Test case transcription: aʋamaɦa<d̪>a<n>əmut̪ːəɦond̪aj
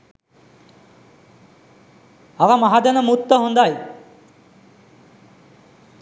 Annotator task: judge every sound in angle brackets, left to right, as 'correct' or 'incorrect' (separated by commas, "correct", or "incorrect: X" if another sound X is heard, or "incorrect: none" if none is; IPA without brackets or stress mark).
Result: correct, correct